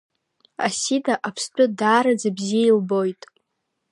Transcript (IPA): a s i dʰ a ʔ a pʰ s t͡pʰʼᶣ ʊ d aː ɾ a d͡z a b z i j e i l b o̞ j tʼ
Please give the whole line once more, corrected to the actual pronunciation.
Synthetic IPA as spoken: a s i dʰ a ʔ a pʰ s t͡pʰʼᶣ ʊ d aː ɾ a d͡z a b z i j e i l b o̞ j tʼ